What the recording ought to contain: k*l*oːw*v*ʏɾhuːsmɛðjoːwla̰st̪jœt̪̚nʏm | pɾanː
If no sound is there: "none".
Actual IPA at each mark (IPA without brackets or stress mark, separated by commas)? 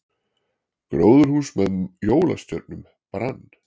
ɾ, ð